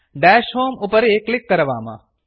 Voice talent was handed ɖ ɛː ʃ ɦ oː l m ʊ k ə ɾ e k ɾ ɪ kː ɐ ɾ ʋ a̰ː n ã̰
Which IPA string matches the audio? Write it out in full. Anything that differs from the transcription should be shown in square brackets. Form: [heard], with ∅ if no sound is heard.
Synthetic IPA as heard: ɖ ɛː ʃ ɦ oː [∅] m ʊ [p] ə ɾ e k [l] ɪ kː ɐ ɾ ʋ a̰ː [m] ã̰